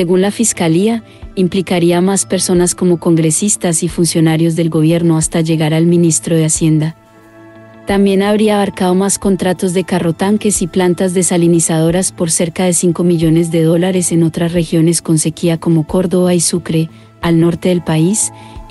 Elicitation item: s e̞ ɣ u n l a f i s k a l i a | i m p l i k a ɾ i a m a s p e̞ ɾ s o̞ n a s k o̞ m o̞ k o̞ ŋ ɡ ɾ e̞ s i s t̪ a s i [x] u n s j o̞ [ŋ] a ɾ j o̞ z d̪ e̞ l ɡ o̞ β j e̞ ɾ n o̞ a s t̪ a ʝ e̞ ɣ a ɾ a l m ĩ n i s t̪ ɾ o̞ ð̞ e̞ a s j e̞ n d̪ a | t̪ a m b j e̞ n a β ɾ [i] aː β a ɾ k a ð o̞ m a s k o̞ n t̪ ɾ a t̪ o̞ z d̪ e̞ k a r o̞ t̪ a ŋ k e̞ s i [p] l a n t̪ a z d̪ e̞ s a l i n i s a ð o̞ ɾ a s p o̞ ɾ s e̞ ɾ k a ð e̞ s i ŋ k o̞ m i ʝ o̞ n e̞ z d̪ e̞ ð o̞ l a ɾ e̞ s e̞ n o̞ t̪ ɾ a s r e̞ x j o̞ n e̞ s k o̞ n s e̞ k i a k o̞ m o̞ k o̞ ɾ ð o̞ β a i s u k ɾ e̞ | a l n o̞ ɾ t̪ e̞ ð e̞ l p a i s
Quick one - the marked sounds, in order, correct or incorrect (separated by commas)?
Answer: incorrect, incorrect, correct, correct